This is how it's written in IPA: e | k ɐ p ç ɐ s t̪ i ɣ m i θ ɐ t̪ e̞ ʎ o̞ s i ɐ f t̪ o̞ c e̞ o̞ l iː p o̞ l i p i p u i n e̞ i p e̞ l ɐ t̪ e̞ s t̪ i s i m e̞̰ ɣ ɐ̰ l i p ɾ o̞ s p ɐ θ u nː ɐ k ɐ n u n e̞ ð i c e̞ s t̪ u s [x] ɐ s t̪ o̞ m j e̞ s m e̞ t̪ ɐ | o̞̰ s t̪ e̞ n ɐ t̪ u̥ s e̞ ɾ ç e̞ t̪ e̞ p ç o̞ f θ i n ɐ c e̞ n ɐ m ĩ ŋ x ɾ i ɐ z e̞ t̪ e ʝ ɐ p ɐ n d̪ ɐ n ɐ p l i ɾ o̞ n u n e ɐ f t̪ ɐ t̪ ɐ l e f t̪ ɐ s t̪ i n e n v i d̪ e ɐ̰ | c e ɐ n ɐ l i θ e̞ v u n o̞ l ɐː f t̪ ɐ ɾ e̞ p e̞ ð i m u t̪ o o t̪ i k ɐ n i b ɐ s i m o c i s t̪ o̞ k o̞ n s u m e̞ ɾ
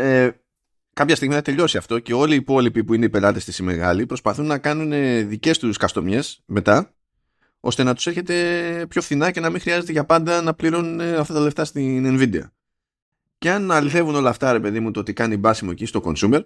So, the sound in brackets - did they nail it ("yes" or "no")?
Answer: no